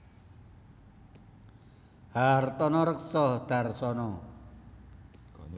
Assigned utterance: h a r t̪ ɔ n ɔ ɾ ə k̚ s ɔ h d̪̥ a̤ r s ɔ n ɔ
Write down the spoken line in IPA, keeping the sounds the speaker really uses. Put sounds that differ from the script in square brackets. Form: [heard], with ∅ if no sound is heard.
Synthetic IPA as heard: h a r t̪ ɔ n ɔ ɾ ə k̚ s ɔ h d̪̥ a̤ r s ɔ n ɔ